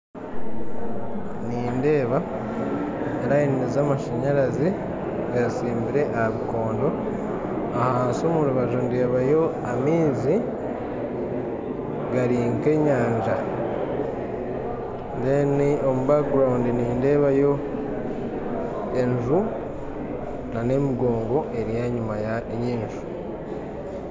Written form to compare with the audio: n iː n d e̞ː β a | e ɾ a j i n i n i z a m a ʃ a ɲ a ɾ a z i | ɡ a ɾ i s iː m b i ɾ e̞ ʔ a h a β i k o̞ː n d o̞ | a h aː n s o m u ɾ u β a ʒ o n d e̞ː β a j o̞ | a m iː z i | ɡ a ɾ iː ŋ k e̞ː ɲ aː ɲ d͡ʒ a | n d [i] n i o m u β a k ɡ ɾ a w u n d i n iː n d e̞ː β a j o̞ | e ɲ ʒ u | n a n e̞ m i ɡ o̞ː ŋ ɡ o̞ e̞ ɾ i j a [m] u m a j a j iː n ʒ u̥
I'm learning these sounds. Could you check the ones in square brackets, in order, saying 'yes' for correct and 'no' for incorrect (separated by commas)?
no, no